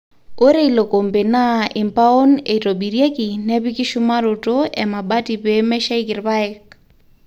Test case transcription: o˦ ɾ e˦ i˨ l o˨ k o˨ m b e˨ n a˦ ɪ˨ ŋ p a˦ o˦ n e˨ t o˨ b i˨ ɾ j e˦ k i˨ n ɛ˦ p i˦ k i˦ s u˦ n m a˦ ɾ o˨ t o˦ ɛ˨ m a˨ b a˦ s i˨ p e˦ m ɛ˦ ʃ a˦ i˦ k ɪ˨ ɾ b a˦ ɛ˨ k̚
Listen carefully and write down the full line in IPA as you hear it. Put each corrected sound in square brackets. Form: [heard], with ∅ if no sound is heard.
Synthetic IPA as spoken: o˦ ɾ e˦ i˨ l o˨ k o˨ m b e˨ n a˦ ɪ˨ [m] p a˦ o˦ n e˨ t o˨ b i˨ ɾ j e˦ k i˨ n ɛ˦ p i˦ k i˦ [ʃ] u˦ [∅] m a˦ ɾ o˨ t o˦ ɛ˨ m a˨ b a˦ [t] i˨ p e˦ m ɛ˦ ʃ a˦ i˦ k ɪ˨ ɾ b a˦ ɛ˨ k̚